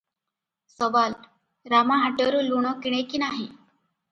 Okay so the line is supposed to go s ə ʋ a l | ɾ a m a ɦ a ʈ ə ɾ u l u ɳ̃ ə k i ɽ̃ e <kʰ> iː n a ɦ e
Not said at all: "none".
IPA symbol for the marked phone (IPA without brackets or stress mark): k